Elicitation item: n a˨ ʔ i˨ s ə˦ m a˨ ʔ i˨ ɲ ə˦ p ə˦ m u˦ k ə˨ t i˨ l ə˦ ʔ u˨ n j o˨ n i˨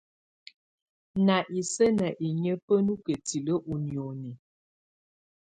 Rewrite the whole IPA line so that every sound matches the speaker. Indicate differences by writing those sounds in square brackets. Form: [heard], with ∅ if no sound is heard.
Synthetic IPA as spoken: n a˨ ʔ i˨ s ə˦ [n] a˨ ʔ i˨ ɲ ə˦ p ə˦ [n] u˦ k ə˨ t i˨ l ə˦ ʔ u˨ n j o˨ n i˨